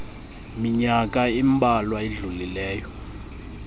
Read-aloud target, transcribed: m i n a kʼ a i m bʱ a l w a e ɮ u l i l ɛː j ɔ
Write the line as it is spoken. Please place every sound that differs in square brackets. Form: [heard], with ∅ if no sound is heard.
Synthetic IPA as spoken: m i [ɲ] a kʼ a i m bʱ a l w a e ɮ u l i l ɛː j ɔ